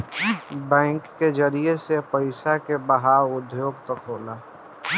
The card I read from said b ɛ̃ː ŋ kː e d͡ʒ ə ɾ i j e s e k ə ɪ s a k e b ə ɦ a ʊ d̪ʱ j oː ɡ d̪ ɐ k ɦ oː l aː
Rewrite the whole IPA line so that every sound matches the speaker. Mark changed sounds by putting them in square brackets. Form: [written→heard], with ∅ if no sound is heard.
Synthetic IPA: b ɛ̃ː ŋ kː e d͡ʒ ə ɾ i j e s e [k→p] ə ɪ s a k e b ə ɦ a ʊ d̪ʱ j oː ɡ [d̪→t̪] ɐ k ɦ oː l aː